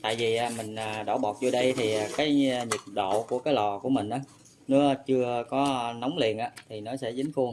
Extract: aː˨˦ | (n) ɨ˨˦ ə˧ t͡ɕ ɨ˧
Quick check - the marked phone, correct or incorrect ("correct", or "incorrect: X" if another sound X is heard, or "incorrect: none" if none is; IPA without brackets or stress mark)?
correct